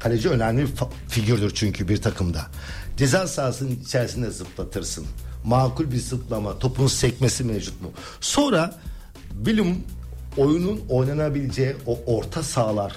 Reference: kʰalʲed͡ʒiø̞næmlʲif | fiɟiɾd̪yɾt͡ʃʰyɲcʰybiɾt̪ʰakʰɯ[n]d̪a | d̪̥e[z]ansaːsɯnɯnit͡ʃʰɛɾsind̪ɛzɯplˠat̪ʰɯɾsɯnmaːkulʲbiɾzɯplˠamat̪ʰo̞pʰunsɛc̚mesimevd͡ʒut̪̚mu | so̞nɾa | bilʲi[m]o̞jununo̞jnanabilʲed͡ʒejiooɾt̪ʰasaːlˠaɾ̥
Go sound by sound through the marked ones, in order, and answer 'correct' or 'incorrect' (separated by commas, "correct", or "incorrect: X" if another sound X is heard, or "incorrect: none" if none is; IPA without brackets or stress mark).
incorrect: m, correct, correct